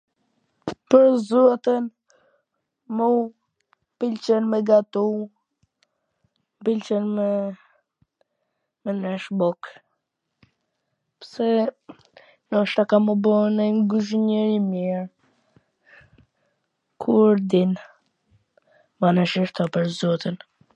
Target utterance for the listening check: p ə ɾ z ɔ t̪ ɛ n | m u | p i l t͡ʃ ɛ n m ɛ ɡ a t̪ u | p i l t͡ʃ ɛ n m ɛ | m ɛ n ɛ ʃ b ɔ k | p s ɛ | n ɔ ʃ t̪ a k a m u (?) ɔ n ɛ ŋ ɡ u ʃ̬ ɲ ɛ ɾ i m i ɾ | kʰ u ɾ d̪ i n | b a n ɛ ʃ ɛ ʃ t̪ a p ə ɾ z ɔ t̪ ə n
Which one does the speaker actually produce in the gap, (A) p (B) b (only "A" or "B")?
B